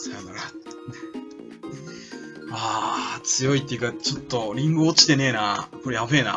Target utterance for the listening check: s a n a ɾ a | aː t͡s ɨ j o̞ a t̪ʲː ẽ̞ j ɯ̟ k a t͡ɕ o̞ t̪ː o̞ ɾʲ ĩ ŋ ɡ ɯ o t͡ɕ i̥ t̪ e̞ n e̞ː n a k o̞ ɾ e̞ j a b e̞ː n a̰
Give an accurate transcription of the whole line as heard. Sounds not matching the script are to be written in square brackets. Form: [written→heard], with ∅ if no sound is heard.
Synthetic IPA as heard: s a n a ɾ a | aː t͡s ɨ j o̞ [a→i] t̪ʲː [ẽ̞→e̞] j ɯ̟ k a t͡ɕ o̞ t̪ː o̞ ɾʲ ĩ ŋ ɡ ɯ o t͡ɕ i̥ t̪ e̞ n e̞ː n a k o̞ ɾ e̞ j a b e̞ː n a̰